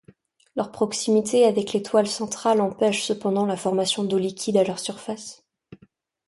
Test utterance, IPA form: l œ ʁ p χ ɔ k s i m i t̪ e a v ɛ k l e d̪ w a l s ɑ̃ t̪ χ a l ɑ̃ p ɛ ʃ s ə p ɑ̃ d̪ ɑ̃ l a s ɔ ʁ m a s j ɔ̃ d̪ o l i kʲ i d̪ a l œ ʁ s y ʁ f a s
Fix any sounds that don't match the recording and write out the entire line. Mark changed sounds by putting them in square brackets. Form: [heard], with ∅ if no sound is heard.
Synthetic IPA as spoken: l œ ʁ p χ ɔ k s i m i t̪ e a v ɛ k l e [t̪] w a l s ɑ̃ t̪ χ a l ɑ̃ p ɛ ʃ s ə p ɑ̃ d̪ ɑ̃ l a [f] ɔ ʁ m a s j ɔ̃ d̪ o l i kʲ i d̪ a l œ ʁ s y ʁ f a s

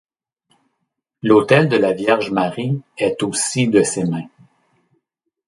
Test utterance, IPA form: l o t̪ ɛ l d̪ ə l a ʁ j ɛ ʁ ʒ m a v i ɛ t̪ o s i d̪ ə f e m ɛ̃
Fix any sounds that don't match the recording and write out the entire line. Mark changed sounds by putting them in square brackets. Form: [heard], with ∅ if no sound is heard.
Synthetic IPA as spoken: l o t̪ ɛ l d̪ ə l a [v] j ɛ ʁ ʒ m a [ʁ] i ɛ t̪ o s i d̪ ə [s] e m ɛ̃

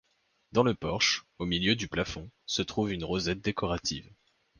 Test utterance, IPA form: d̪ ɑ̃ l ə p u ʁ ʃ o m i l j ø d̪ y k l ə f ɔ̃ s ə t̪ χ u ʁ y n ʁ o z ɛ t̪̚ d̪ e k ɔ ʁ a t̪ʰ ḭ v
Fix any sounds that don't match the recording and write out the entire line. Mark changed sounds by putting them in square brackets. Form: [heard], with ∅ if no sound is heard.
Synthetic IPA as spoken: d̪ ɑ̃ l ə p [ɔ] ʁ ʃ o m i l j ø d̪ y [p] l [a] f ɔ̃ s ə t̪ χ u [v] y n ʁ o z ɛ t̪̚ d̪ e k ɔ ʁ a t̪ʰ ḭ v

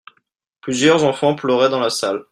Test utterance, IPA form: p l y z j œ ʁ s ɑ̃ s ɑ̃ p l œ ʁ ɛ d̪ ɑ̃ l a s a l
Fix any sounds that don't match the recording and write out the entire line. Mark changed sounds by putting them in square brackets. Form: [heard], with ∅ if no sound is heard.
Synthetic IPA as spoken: p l y z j œ ʁ [z] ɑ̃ [f] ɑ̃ p l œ ʁ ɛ d̪ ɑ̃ l a s a l

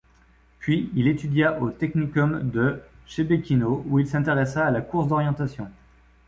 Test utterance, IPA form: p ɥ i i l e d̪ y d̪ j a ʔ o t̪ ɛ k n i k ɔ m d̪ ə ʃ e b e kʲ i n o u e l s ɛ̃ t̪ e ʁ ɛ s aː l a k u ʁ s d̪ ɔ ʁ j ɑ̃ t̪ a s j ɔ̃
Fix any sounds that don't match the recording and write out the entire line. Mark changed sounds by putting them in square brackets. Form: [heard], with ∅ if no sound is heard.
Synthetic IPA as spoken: p ɥ i i l e [t̪] y d̪ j a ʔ o t̪ ɛ k n i k ɔ m d̪ ə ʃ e b e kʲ i n o u [i] l s ɛ̃ t̪ e ʁ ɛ s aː l a k u ʁ s d̪ ɔ ʁ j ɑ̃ t̪ a s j ɔ̃

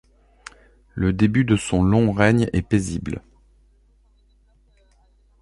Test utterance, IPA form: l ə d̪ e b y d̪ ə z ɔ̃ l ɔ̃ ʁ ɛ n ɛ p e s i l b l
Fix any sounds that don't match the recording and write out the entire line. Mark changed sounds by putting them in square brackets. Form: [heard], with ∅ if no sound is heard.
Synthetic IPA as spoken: l ə d̪ e b y d̪ ə [s] ɔ̃ l ɔ̃ ʁ ɛ [ɲ] ɛ p e [z] i [∅] b l

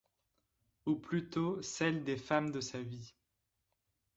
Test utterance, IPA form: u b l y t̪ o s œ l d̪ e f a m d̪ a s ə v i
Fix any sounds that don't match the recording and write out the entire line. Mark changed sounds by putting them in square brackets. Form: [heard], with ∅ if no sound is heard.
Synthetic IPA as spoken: u [p] l y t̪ o s [ɛ] l d̪ e f a m d̪ [ə] s [a] v i

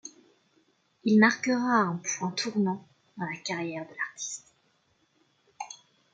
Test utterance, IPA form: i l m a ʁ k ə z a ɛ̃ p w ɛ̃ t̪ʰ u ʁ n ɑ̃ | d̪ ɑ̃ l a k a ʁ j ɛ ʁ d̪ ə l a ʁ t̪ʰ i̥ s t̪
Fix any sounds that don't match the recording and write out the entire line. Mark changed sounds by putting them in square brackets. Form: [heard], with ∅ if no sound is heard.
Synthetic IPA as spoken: i l m a ʁ k ə [ʁ] a ɛ̃ p w ɛ̃ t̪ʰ u ʁ n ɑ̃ | d̪ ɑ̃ l a k a ʁ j ɛ ʁ d̪ ə l a ʁ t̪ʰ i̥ s t̪

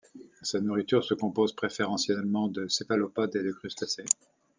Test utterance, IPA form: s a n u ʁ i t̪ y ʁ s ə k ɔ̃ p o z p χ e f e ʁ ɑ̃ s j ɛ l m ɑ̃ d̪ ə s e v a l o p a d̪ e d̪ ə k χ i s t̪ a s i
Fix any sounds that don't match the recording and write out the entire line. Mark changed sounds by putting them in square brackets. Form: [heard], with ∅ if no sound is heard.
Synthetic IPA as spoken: s a n u ʁ i t̪ y ʁ s ə k ɔ̃ p o z p χ e f e ʁ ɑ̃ s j ɛ l m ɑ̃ d̪ ə s e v a l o p a d̪ e d̪ ə k χ [y] s t̪ a s [e]

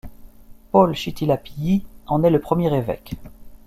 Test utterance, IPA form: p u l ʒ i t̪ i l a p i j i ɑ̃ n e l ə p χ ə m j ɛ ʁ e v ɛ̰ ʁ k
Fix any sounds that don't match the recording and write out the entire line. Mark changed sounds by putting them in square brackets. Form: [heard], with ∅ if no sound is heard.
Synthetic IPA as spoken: p [ɔ] l [ʃ] i t̪ i l a p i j i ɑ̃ n [ɛ] l ə p χ ə m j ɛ ʁ e v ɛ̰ [∅] k

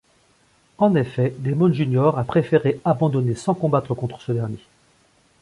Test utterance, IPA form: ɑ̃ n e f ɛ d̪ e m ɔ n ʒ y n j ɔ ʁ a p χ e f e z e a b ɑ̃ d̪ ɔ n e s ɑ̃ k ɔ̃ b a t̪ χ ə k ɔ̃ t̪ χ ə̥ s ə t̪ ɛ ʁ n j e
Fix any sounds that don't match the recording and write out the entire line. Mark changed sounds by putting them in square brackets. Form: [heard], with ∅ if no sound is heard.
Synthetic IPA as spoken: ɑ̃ n e f ɛ d̪ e m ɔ n ʒ y n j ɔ ʁ a p χ e f e [ʁ] e a b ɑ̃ d̪ ɔ n e s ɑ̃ k ɔ̃ b a t̪ χ ə k ɔ̃ t̪ χ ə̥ s ə [d̪] ɛ ʁ n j e

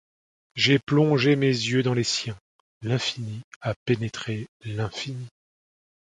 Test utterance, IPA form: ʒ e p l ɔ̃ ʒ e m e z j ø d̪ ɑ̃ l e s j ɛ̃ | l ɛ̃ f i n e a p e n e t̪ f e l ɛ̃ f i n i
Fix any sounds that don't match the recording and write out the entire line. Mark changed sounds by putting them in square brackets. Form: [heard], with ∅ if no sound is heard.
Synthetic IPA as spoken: ʒ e p l ɔ̃ ʒ e m e z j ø d̪ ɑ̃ l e s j ɛ̃ | l ɛ̃ f i n [i] a p e n e t̪ [χ] e l ɛ̃ f i n i

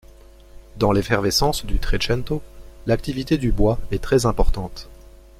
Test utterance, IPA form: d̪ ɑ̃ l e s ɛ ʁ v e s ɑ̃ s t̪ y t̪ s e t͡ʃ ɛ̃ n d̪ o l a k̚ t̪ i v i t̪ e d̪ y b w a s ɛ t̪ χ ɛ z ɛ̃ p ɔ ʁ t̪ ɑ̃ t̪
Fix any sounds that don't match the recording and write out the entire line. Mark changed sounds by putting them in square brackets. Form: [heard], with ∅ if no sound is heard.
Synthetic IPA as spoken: d̪ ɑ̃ l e [f] ɛ ʁ v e s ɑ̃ s [d̪] y t̪ [χ] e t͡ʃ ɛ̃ n [t̪] o l a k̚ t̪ i v i t̪ e d̪ y b w a [∅] ɛ t̪ χ ɛ z ɛ̃ p ɔ ʁ t̪ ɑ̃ t̪

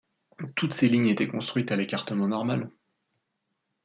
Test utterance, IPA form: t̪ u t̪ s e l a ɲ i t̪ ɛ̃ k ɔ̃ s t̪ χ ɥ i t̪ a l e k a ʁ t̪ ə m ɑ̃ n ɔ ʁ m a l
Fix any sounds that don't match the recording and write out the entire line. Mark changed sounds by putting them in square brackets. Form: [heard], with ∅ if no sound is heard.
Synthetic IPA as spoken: t̪ u t̪ s e l [i] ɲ [e] t̪ [ɛ] k ɔ̃ s t̪ χ ɥ i t̪ a l e k a ʁ t̪ ə m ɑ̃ n ɔ ʁ m a l

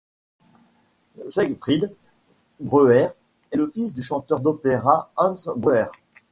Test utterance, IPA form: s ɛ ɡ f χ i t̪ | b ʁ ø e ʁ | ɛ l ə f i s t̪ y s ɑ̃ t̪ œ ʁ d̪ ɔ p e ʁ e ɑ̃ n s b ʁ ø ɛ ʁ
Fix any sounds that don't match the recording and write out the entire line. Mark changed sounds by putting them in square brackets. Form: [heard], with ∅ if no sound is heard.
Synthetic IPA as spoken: s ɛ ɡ f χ i [d̪] | b ʁ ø [ɛ] ʁ | ɛ l ə f i s [d̪] y [ʃ] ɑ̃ t̪ œ ʁ d̪ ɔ p e ʁ [a] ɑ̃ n s b ʁ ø ɛ ʁ

